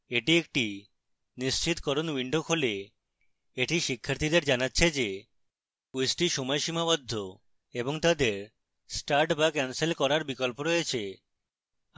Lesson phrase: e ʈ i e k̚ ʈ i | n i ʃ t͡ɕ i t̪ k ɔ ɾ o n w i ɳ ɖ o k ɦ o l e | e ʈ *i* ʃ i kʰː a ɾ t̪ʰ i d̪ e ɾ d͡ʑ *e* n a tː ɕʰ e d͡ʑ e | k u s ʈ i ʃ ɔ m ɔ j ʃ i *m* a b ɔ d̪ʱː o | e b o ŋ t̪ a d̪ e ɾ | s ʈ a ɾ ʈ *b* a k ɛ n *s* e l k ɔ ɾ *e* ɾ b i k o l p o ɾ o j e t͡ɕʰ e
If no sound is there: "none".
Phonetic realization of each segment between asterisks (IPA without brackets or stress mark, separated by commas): i, a, m, b, s, a